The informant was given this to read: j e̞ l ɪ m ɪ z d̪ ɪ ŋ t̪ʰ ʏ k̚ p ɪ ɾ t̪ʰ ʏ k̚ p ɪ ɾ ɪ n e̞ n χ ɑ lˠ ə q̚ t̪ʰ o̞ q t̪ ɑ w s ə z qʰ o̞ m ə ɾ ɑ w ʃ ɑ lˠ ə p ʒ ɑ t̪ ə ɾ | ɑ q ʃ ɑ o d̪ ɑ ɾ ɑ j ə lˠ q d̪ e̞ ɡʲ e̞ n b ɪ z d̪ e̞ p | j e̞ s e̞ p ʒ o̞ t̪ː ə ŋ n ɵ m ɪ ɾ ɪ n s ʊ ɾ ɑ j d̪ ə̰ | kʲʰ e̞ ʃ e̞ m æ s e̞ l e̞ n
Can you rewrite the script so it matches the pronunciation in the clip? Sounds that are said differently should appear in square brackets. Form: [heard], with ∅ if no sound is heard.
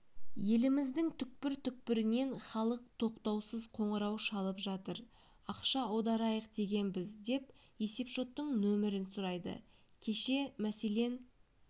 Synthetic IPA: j e̞ l ɪ m ɪ z d̪ ɪ ŋ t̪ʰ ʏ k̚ p ɪ ɾ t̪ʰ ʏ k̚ p ɪ ɾ ɪ n e̞ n χ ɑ lˠ ə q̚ t̪ʰ o̞ q t̪ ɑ w s ə z qʰ o̞ [ɴ] ə ɾ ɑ w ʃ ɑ lˠ ə p ʒ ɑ t̪ ə ɾ | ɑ q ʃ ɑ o d̪ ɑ ɾ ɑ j ə [∅] q d̪ e̞ ɡʲ e̞ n b ɪ z d̪ e̞ p | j e̞ s e̞ p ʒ o̞ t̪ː ə [ɴ] n ɵ m ɪ ɾ ɪ n s ʊ ɾ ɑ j d̪ ə̰ | kʲʰ e̞ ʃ e̞ m æ s e̞ l e̞ n

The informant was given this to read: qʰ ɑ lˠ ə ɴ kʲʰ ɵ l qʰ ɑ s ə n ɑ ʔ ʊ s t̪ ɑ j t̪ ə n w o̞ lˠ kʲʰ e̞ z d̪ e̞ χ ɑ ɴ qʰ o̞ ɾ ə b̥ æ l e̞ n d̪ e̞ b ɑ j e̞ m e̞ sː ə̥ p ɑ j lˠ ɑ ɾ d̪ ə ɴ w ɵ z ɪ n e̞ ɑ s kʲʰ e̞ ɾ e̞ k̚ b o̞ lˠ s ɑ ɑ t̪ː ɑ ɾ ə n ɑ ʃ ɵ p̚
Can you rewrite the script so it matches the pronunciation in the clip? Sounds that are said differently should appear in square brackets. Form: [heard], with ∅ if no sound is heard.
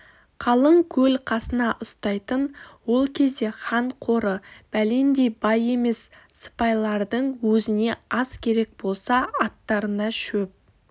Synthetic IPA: qʰ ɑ lˠ ə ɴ kʲʰ ɵ l qʰ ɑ s ə n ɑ ʔ ʊ s t̪ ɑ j t̪ ə n w o̞ lˠ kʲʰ e̞ z d̪ e̞ χ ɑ ɴ qʰ o̞ ɾ ə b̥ æ l e̞ n d̪ e̞ b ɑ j e̞ m e̞ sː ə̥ p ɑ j lˠ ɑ ɾ d̪ ə ɴ w ɵ z ɪ n e̞ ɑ s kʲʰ e̞ ɾ e̞ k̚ b o̞ lˠ s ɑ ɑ t̪ː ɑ ɾ ə n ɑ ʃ ɵ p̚

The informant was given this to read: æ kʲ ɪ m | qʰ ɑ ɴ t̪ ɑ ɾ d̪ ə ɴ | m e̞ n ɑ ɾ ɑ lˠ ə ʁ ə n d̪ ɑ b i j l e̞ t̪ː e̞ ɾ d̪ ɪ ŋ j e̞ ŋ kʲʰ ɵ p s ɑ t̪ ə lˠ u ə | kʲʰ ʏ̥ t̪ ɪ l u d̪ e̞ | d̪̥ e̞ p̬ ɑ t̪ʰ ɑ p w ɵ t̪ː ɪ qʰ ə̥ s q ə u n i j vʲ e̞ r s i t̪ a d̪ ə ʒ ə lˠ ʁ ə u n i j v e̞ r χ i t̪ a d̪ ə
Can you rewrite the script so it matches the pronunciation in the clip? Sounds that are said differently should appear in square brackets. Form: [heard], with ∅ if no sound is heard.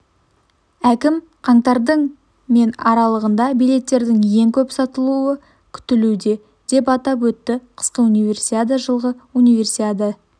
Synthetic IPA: æ kʲ ɪ m | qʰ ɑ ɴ t̪ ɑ ɾ d̪ ə ɴ | m e̞ n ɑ ɾ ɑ lˠ ə ʁ ə n d̪ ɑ b i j l e̞ t̪ː e̞ ɾ d̪ ɪ ŋ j e̞ ŋ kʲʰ ɵ p s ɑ t̪ ə lˠ u ə | kʲʰ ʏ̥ t̪ ɪ l u d̪ e̞ | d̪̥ e̞ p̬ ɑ [t̪] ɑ p w ɵ t̪ː ɪ qʰ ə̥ s q ə u n i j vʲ e̞ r s i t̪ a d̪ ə ʒ ə lˠ ʁ ə u n i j v e̞ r [s] i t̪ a d̪ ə

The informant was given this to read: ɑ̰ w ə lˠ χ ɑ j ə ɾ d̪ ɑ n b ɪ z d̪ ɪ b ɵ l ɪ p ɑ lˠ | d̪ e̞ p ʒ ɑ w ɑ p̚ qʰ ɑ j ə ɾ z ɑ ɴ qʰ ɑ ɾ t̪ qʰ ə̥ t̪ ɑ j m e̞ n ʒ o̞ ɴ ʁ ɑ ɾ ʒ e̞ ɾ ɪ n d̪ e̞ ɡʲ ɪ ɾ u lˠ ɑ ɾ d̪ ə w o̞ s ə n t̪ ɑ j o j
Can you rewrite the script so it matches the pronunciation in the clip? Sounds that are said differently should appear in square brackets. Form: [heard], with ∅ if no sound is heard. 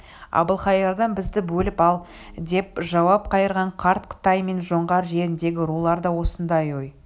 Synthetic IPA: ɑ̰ [b] ə lˠ χ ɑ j [ɑ] ɾ d̪ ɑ n b ɪ z d̪ ɪ b ɵ l ɪ p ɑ lˠ | d̪ e̞ p ʒ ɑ w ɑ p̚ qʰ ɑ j ə ɾ [ʁ] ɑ ɴ qʰ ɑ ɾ t̪ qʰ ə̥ t̪ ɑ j m e̞ n ʒ o̞ ɴ ʁ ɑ ɾ ʒ e̞ ɾ ɪ n d̪ e̞ ɡʲ ɪ ɾ u lˠ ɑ ɾ d̪ [ɑ] w o̞ s ə n [d̪] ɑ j o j

